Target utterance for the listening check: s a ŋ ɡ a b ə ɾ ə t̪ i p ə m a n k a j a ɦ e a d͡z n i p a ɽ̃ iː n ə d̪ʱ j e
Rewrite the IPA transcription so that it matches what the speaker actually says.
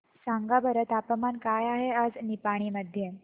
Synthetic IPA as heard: s a ŋ ɡ a b ə ɾ ə t̪ a p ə m a n k a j a ɦ e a d͡z n i p a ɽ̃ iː m ə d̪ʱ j e